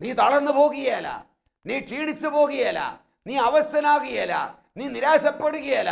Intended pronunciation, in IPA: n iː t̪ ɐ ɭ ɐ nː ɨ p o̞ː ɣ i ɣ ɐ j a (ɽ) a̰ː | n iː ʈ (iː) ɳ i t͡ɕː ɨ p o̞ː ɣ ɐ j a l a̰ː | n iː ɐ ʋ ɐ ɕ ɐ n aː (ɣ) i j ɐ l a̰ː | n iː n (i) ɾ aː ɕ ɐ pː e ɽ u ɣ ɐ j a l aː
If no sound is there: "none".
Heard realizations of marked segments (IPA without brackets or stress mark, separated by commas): l, iː, ɣ, i